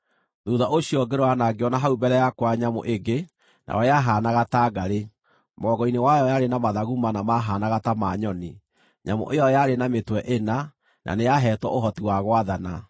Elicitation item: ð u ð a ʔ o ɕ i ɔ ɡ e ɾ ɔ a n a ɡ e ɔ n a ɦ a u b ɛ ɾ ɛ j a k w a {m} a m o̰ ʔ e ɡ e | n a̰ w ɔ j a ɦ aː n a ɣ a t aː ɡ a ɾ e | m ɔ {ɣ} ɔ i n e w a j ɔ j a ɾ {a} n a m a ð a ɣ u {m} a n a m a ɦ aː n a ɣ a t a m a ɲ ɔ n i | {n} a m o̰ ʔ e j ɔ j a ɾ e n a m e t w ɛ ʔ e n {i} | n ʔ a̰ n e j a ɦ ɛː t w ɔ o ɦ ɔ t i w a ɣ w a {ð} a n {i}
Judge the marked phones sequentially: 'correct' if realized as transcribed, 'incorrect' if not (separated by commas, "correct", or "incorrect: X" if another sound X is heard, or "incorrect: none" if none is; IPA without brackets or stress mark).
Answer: incorrect: ɲ, correct, incorrect: e, correct, incorrect: ɲ, incorrect: a, correct, incorrect: a